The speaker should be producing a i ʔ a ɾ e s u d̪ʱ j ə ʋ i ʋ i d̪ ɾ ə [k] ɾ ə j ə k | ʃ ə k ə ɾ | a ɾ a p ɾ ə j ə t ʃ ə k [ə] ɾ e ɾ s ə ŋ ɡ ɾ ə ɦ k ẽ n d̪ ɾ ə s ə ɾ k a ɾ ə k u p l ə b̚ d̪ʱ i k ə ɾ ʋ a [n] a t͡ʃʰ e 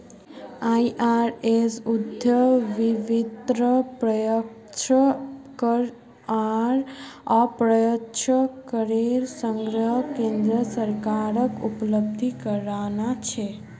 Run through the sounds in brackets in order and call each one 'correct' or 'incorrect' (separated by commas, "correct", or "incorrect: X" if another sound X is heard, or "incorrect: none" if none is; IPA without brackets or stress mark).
incorrect: p, correct, correct